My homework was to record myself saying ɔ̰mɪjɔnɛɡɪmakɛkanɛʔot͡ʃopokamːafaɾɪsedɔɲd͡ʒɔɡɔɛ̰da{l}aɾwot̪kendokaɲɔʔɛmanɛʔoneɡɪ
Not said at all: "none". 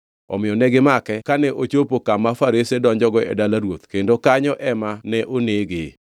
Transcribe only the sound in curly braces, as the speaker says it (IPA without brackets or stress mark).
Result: l